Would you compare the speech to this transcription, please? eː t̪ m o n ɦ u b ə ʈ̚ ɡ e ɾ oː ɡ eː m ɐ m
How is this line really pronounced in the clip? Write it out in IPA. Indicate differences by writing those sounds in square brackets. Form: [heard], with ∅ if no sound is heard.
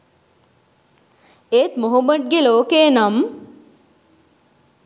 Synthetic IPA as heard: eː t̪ m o [∅] ɦ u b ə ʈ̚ ɡ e [l] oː [k] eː [n] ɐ m